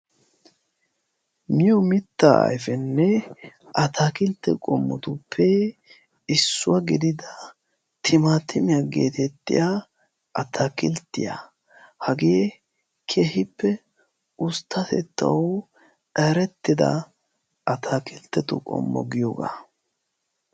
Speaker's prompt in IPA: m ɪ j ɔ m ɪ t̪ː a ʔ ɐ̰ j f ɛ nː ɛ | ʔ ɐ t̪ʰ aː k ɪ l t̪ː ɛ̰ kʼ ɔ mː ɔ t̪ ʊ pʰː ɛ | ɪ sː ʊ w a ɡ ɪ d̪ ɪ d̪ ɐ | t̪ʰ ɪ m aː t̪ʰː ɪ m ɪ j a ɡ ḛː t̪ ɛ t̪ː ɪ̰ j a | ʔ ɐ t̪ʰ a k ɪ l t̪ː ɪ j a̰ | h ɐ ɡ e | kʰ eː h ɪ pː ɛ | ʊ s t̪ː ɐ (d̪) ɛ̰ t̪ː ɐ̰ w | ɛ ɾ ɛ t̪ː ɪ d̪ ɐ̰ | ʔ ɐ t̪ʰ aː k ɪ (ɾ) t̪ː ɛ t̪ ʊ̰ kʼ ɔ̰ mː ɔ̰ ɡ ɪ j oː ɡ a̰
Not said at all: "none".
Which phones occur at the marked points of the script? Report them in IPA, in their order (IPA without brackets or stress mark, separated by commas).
t̪, l